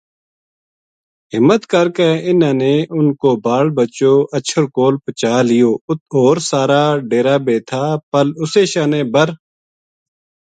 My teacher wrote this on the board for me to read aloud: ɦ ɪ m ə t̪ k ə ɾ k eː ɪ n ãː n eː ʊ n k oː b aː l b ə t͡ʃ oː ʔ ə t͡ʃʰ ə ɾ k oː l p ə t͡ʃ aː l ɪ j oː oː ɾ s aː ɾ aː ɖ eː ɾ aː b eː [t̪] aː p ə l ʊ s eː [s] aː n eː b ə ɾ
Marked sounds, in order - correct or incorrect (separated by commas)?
incorrect, incorrect